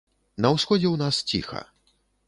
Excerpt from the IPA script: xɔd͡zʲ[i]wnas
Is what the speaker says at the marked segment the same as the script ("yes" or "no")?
no